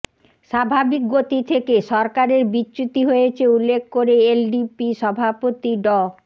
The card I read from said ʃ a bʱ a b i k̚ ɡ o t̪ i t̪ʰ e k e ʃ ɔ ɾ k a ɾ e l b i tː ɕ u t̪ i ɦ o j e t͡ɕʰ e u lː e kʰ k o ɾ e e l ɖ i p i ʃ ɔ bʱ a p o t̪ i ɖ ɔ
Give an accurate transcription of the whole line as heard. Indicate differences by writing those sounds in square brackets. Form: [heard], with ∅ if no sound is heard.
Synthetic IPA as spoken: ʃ a bʱ a b i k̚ ɡ o t̪ i t̪ʰ e k e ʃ ɔ ɾ k a ɾ e [ɾ] b i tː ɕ u t̪ i ɦ o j e t͡ɕʰ e u lː e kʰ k o ɾ e e l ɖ i p i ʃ ɔ bʱ a p o t̪ i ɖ ɔ